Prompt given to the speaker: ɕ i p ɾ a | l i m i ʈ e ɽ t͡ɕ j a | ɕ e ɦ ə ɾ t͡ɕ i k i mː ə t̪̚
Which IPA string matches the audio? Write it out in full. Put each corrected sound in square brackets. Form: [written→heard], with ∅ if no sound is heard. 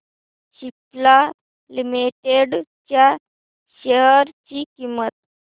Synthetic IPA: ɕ i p [ɾ→l] a | l i m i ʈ e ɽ t͡ɕ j a | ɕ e ɦ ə ɾ t͡ɕ i k i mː ə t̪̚